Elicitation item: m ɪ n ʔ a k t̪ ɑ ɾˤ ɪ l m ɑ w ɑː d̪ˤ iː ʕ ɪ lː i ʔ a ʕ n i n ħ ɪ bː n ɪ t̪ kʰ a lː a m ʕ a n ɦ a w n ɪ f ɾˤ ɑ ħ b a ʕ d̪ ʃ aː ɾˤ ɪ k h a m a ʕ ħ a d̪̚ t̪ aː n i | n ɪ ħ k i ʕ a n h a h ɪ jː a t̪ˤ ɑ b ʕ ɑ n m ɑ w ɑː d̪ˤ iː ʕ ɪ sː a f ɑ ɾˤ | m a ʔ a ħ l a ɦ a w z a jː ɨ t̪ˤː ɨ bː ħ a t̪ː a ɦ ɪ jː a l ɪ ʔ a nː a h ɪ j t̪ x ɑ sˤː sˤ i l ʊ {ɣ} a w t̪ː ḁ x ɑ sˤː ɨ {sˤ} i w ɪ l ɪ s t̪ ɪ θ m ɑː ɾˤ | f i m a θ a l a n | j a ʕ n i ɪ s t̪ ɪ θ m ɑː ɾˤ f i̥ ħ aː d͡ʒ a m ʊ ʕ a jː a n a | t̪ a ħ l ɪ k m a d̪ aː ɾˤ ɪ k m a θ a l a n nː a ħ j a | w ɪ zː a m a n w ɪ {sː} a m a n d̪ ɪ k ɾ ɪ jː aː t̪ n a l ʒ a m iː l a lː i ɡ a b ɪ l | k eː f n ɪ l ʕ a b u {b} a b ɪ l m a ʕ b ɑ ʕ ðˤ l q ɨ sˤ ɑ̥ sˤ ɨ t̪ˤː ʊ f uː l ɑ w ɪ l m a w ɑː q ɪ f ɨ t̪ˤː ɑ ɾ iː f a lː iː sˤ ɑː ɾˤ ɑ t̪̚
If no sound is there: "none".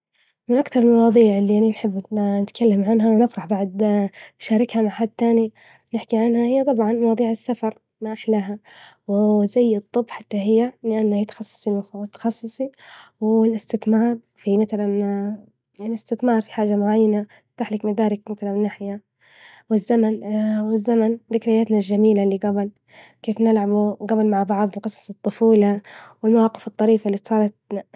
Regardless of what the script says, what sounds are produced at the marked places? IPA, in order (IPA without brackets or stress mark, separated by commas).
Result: x, sˤ, zː, ɡ